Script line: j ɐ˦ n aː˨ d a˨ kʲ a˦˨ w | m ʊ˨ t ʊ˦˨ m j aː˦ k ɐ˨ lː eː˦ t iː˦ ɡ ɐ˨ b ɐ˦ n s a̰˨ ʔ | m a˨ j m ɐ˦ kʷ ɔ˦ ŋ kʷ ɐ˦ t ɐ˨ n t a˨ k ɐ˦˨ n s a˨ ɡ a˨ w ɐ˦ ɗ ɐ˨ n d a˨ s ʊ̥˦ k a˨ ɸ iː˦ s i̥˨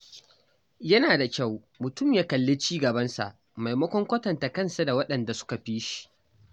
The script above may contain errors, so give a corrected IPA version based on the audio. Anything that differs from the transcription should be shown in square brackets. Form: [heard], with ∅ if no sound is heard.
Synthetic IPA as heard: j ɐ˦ n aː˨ d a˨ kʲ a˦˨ w | m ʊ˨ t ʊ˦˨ m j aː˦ k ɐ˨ lː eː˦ [t͡ʃ] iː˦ ɡ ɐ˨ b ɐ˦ n s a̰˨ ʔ | m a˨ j m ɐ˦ kʷ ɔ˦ ŋ kʷ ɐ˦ t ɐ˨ n t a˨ k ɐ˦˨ n s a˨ [d] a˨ w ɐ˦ ɗ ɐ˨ n d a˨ s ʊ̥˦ k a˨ ɸ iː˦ [ʃ] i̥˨

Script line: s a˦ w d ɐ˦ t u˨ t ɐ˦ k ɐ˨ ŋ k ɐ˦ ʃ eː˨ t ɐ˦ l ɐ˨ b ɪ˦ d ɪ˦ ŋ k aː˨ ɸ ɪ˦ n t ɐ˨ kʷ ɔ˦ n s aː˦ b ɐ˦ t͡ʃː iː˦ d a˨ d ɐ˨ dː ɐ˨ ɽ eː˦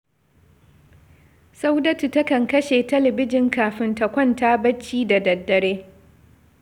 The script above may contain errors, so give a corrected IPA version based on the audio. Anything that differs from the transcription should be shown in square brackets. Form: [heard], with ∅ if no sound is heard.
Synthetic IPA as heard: s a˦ w d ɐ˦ t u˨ t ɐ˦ k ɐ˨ ŋ k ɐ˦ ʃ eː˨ t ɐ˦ l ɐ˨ b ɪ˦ [d͡ʒ] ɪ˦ ŋ k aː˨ ɸ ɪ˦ n t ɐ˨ kʷ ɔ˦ n [t] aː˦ b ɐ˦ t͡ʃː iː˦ d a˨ d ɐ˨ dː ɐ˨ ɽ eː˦

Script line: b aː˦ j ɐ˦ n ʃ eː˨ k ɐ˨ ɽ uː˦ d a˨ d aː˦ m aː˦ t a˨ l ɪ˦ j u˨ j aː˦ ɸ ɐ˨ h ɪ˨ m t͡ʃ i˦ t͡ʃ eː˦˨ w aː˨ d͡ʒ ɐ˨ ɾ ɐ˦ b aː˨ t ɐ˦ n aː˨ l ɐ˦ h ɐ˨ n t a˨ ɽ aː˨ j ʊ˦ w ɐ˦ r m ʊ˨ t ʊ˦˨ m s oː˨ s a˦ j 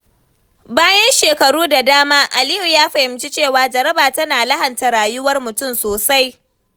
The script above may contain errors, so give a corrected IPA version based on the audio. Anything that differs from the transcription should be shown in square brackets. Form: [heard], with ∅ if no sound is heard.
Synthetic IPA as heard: b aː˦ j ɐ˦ n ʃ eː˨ k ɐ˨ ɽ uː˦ d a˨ d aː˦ m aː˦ [ʔ] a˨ l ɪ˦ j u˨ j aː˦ ɸ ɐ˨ h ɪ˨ m t͡ʃ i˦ t͡ʃ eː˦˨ w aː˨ d͡ʒ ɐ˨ ɾ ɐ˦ b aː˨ t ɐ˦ n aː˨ l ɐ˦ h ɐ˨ n t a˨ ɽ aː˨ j ʊ˦ w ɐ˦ r m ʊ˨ t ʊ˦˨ m s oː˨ s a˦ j

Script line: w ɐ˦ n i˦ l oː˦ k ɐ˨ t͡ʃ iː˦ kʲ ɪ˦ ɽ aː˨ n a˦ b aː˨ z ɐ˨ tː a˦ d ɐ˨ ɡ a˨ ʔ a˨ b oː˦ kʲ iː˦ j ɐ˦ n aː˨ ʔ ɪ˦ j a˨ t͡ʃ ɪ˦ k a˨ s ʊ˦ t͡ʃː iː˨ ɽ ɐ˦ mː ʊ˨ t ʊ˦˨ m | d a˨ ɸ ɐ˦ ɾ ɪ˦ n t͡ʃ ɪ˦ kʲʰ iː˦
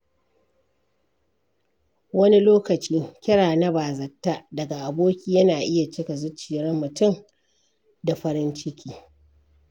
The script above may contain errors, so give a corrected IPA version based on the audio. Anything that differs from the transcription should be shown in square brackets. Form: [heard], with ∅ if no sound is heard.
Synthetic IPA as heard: w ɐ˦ n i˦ l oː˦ k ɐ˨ t͡ʃ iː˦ kʲ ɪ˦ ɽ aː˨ n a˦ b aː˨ z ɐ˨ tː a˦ d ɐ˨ ɡ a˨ ʔ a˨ b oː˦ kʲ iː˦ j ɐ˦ n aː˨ ʔ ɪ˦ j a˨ t͡ʃ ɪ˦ k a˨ [z] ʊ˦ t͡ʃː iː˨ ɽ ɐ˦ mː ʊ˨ t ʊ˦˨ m | d a˨ ɸ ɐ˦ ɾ ɪ˦ n t͡ʃ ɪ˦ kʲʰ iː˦

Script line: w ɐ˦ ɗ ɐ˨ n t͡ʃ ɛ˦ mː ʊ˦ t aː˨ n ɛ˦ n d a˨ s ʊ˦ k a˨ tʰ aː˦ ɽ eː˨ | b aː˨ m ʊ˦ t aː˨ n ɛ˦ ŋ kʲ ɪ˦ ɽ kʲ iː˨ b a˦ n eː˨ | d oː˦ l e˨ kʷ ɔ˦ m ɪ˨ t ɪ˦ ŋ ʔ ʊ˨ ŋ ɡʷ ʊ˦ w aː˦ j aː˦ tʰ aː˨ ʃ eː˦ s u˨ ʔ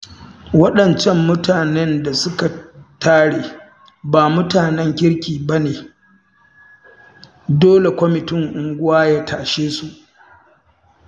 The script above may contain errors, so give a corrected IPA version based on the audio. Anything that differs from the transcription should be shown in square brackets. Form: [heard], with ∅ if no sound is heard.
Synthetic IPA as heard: w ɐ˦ ɗ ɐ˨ n t͡ʃ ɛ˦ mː ʊ˦ t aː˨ n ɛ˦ n d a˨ s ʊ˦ k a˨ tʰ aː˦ ɽ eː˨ | b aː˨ m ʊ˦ t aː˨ n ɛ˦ ŋ kʲ ɪ˦ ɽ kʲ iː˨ b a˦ n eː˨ | d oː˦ l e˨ kʷ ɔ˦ m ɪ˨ t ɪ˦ ŋ ʔ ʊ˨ ŋ ɡʷ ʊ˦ w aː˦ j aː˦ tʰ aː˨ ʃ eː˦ s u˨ ʔ

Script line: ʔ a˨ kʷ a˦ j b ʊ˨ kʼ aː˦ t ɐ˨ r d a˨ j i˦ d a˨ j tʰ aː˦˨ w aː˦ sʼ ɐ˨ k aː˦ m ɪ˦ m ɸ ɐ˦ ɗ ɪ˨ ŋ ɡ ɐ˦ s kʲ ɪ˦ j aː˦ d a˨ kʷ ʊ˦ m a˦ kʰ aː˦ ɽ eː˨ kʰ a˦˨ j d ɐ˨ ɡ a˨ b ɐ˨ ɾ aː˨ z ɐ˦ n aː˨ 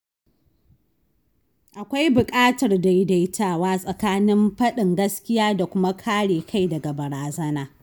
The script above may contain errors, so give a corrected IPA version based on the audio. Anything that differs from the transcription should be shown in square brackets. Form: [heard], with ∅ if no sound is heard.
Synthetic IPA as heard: ʔ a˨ kʷ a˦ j b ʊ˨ kʼ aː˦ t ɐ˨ r d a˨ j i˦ d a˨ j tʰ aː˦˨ w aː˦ sʼ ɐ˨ k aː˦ [n] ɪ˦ m ɸ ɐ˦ ɗ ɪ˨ ŋ ɡ ɐ˦ s kʲ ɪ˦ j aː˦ d a˨ kʷ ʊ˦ m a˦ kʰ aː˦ ɽ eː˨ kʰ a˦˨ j d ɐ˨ ɡ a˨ b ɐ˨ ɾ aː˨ z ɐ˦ n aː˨

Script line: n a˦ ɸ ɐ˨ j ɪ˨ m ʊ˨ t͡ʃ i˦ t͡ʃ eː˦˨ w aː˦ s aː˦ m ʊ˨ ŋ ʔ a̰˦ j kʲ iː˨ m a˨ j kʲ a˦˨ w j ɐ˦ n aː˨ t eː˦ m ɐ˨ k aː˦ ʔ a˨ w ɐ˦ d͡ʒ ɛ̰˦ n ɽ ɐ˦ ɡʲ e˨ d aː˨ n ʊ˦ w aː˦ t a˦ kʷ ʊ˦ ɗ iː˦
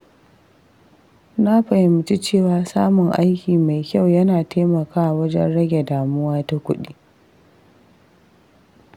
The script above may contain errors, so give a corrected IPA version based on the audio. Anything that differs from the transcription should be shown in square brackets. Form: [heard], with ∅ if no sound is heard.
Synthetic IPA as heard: n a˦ ɸ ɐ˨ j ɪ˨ m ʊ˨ t͡ʃ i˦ t͡ʃ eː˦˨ w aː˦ s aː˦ m ʊ˨ ŋ ʔ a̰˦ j kʲ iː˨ m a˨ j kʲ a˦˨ w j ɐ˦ n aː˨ t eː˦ m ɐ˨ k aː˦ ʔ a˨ w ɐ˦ d͡ʒ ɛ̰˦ n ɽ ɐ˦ ɡʲ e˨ d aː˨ [m] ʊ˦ w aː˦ t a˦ kʷ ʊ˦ ɗ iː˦

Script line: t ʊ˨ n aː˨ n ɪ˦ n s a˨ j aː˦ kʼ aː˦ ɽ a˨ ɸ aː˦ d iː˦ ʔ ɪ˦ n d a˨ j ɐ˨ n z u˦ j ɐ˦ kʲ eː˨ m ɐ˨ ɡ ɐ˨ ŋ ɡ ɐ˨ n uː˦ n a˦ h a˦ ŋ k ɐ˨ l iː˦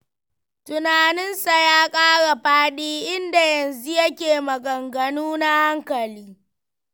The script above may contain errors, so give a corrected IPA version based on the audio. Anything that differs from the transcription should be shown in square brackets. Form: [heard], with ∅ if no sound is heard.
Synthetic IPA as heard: t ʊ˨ n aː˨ n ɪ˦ n s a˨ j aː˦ kʼ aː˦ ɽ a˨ ɸ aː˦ [ɗ] iː˦ ʔ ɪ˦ n d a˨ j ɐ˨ n z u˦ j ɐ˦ kʲ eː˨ m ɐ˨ ɡ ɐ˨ ŋ ɡ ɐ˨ n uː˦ n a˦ h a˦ ŋ k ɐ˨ l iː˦

